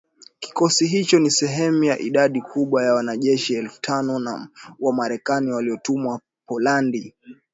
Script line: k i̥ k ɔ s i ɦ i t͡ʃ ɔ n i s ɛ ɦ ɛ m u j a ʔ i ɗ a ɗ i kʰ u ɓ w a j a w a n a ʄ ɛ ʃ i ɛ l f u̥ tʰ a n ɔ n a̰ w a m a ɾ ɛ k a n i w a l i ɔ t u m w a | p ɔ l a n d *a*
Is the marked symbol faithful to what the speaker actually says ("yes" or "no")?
no